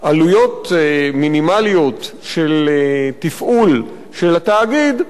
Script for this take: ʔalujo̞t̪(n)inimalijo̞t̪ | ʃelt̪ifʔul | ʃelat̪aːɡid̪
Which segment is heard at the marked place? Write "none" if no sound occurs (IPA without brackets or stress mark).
m